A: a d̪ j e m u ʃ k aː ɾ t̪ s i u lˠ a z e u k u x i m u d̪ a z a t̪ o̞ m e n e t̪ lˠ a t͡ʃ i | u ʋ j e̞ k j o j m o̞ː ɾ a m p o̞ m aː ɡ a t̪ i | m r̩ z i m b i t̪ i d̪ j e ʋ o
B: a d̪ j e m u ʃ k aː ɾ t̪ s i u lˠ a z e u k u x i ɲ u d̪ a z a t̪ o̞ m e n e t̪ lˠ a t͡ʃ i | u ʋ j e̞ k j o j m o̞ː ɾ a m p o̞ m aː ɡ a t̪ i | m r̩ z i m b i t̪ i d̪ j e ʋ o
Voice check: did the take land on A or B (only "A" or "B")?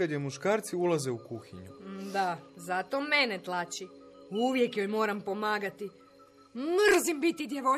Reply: B